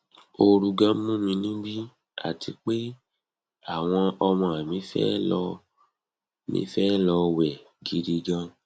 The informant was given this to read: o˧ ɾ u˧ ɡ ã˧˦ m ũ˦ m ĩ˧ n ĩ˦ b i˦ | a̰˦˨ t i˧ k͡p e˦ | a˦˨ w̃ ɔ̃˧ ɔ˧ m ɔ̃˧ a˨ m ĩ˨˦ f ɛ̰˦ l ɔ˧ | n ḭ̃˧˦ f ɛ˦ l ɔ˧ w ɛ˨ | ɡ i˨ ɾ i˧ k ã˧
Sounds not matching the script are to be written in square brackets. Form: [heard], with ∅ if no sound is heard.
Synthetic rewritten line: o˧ ɾ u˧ ɡ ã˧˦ m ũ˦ m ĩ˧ n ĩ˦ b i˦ | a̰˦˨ t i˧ k͡p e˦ | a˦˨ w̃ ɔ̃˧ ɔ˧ m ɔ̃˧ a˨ m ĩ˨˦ f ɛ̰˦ l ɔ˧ | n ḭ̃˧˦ f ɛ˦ l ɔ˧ w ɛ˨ | ɡ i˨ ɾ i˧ [ɡ] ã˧